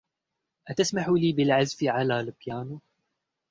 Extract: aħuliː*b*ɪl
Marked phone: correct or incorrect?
correct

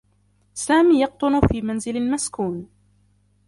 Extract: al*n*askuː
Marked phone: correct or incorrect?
incorrect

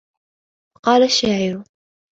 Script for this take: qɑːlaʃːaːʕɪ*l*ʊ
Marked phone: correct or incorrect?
incorrect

